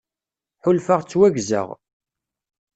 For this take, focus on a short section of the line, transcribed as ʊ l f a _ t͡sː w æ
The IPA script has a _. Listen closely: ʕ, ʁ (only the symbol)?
ʁ